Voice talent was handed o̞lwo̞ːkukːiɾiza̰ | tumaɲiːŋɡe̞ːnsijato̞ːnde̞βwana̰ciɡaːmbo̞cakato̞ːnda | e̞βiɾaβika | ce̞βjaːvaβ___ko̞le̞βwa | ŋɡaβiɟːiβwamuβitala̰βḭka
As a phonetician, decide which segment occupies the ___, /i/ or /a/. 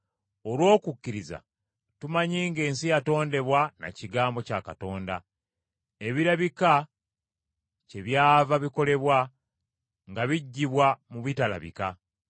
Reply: i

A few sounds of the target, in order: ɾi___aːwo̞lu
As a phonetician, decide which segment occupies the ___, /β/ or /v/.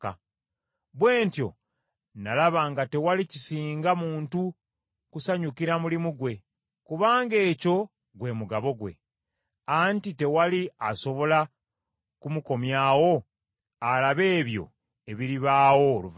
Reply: β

